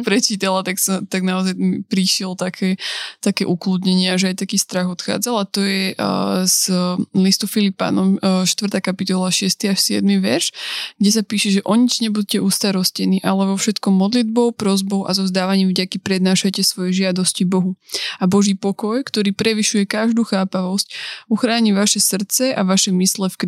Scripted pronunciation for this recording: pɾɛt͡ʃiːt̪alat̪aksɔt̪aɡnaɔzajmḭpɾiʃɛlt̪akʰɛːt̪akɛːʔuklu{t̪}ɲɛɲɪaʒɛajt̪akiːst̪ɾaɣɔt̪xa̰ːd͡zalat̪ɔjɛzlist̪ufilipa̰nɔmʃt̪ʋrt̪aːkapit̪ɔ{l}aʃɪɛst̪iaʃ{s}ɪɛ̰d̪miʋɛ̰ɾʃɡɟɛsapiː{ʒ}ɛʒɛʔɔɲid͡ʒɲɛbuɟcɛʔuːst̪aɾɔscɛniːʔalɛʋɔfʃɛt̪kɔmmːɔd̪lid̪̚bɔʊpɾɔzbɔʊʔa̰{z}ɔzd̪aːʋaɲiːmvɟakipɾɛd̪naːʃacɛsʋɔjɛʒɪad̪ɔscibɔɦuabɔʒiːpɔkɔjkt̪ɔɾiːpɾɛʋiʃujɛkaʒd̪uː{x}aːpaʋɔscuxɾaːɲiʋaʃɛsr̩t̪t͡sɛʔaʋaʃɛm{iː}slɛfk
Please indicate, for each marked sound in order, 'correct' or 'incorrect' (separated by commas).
incorrect, correct, correct, incorrect, correct, correct, incorrect